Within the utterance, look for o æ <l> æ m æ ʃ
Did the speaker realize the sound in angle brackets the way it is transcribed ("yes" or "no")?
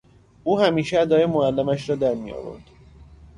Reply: no